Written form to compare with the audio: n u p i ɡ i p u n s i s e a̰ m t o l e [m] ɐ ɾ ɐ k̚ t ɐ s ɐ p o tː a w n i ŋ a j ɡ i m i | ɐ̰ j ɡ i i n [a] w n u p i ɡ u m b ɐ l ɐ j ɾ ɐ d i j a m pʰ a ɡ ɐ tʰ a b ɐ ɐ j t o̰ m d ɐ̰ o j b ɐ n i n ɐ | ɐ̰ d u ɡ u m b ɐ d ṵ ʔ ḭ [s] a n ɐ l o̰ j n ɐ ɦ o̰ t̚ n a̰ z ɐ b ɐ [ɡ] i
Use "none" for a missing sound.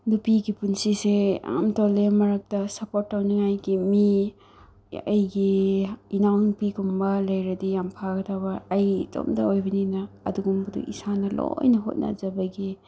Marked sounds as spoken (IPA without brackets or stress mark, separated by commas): m, a, s, ɡ